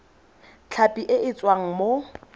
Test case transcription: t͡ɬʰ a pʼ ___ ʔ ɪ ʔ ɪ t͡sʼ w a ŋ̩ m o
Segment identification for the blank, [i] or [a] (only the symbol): i